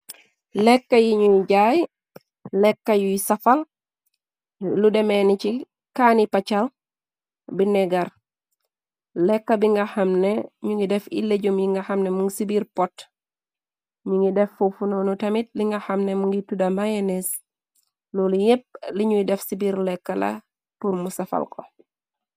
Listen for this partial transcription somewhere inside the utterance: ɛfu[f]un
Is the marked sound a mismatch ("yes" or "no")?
no